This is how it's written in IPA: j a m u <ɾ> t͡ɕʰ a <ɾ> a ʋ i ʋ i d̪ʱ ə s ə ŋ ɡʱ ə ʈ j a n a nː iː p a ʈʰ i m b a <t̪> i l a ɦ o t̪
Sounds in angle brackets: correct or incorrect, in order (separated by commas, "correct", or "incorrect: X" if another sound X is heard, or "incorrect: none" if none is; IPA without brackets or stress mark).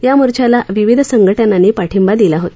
correct, incorrect: l, incorrect: d̪